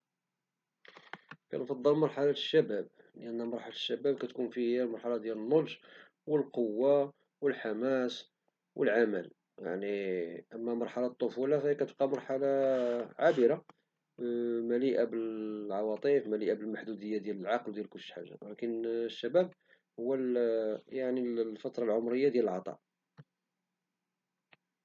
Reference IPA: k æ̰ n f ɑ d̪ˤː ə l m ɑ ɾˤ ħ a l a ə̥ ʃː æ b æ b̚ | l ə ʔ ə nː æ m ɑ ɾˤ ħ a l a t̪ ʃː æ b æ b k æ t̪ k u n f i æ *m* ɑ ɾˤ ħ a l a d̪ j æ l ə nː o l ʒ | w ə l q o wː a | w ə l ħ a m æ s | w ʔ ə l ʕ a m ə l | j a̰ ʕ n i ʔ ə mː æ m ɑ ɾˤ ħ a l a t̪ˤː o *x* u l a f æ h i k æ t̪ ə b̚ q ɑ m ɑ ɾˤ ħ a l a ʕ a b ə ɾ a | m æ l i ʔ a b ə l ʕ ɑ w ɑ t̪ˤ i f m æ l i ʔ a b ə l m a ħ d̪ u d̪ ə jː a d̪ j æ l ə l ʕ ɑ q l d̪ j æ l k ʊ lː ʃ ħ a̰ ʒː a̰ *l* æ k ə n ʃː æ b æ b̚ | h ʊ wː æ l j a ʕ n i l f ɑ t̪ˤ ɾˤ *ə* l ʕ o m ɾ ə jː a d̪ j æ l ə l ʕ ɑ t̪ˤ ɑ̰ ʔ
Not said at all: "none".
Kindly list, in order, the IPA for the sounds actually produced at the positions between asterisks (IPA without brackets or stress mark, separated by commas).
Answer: m, f, l, ɑ